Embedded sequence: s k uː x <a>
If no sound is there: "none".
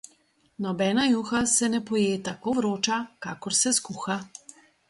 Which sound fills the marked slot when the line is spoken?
a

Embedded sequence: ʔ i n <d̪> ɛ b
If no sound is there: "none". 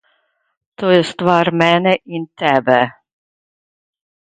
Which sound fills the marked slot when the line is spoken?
t̪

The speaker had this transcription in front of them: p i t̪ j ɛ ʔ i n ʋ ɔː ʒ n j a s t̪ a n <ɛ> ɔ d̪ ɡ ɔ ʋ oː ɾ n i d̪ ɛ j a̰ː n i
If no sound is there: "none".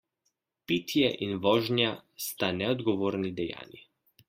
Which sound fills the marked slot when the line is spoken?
ɛ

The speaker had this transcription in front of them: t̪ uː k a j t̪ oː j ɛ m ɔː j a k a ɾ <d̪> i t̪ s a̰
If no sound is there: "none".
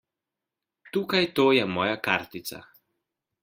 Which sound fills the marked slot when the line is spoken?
t̪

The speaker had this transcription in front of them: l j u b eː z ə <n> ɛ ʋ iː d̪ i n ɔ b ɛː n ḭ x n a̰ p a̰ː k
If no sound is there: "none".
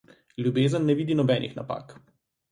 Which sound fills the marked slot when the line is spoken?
nː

